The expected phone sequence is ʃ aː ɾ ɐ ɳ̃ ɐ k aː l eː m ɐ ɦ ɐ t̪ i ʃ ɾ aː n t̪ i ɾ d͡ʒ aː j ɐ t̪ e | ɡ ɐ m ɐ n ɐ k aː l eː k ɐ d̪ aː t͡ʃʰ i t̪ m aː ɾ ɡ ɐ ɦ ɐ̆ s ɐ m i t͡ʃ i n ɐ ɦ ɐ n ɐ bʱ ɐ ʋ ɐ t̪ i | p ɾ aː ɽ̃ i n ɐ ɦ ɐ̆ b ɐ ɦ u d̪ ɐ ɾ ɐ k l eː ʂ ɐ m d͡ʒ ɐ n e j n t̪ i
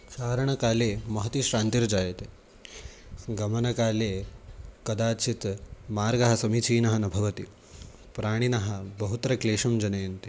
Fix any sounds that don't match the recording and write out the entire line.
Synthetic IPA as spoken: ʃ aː ɾ ɐ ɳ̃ ɐ k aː l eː m ɐ ɦ ɐ t̪ i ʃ ɾ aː n t̪ i ɾ d͡ʒ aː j ɐ t̪ e | ɡ ɐ m ɐ n ɐ k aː l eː k ɐ d̪ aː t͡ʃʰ i t̪ m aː ɾ ɡ ɐ ɦ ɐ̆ s ɐ m i t͡ʃ iː n ɐ ɦ ɐ n ɐ bʱ ɐ ʋ ɐ t̪ i | p ɾ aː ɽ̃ i n ɐ ɦ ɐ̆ b ɐ ɦ u t̪ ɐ ɾ ɐ k l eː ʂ ɐ m d͡ʒ ɐ n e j n t̪ i